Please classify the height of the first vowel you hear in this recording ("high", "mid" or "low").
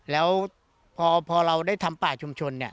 mid